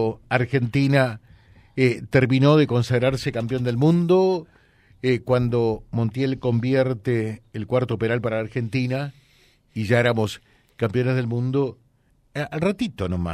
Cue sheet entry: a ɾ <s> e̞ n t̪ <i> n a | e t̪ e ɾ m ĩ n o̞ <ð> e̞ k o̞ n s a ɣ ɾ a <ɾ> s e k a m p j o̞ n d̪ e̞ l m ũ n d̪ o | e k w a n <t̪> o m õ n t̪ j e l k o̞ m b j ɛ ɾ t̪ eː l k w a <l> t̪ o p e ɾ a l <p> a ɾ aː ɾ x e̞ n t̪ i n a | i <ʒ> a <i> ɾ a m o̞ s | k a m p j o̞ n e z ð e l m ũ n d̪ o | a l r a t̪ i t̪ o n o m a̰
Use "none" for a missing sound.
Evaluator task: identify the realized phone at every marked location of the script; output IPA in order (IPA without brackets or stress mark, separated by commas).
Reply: x, i, ð, ɾ, d̪, ɾ, p, ʒ, e